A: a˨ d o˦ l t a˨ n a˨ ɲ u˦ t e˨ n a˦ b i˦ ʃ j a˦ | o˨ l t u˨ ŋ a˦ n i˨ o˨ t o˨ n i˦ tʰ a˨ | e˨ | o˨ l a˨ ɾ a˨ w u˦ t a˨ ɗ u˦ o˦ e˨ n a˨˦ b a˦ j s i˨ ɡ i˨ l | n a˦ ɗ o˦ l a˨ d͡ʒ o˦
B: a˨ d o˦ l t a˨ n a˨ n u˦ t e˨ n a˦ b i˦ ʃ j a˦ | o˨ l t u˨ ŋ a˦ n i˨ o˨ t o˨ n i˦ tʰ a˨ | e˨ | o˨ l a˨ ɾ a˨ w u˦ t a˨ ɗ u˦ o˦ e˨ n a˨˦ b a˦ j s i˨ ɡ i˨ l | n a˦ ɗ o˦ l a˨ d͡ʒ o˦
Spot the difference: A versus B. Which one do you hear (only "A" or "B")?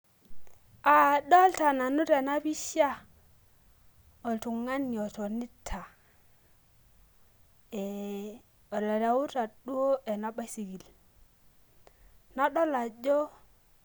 B